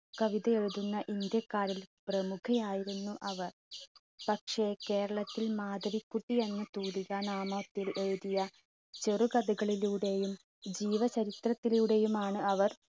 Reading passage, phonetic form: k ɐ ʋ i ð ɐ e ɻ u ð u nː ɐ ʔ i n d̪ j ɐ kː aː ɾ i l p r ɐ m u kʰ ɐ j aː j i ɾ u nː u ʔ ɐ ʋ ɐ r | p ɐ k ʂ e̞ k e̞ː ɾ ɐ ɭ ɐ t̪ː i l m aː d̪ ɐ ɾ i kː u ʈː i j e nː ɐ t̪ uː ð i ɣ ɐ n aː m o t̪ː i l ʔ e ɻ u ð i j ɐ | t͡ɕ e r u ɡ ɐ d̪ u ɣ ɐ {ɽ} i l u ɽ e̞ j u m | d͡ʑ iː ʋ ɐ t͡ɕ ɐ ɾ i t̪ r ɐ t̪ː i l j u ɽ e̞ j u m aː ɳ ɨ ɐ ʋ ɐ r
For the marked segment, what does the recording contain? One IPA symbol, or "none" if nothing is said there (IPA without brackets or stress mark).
ɭ